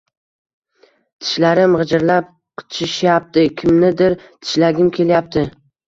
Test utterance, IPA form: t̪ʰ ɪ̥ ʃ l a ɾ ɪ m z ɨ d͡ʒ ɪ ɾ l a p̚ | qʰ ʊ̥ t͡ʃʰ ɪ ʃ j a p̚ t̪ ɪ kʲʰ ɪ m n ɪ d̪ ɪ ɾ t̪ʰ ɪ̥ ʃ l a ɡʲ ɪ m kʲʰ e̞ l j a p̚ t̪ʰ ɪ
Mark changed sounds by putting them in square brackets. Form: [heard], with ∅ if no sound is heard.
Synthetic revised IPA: t̪ʰ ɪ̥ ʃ l a ɾ ɪ m [ʁ] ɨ d͡ʒ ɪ ɾ l a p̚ | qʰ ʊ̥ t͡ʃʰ ɪ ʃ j a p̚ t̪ ɪ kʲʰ ɪ m n ɪ d̪ ɪ ɾ t̪ʰ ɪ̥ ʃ l a ɡʲ ɪ m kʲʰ e̞ l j a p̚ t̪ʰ ɪ